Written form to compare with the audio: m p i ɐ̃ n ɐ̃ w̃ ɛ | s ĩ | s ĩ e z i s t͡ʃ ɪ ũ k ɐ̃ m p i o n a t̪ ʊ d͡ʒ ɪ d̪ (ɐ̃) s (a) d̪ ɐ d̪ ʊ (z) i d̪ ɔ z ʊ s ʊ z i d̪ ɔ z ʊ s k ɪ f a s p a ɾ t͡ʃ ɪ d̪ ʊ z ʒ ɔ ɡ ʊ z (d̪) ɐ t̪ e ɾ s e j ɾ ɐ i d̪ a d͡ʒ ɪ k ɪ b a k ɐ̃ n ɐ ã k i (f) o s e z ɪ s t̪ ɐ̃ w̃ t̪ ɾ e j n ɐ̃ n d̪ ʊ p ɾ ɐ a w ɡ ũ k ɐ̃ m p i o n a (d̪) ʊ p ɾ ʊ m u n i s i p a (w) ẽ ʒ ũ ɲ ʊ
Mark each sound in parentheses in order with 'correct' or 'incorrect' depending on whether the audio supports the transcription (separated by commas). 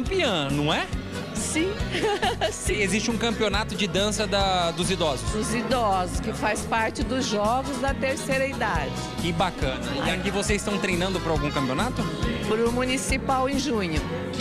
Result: correct, incorrect, correct, correct, incorrect, incorrect, correct